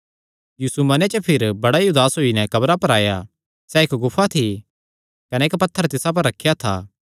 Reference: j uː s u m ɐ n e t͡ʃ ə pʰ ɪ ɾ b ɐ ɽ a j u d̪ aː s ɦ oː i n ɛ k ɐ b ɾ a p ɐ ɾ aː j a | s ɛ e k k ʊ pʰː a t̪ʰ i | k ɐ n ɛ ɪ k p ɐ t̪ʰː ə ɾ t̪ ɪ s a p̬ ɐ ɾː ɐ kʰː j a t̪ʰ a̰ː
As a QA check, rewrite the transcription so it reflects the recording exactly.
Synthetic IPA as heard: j uː s u m ɐ n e t͡ʃ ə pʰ ɪ ɾ b ɐ ɽ a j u d̪ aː s ɦ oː i n ɛ k ɐ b ɾ a p ɐ ɾ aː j a | s ɛ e k ɡ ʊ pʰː a t̪ʰ i | k ɐ n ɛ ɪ k p ɐ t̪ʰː ə ɾ t̪ ɪ s a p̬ ɐ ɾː ɐ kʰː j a t̪ʰ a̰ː